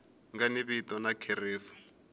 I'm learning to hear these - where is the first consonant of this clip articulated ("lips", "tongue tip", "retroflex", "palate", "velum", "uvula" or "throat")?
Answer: velum